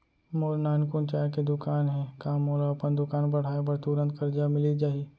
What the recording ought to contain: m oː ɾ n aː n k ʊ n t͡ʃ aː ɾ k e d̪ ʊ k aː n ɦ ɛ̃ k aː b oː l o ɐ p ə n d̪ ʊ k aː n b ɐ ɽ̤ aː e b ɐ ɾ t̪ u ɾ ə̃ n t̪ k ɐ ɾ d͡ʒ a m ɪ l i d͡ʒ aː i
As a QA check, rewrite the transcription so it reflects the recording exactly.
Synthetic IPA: m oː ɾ n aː n k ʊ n t͡ʃ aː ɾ k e d̪ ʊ k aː n ɦ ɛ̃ k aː m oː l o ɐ p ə n d̪ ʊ k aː n b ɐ ɽ̤ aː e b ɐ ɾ t̪ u ɾ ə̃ n t̪ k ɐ ɾ d͡ʒ a m ɪ l i d͡ʒ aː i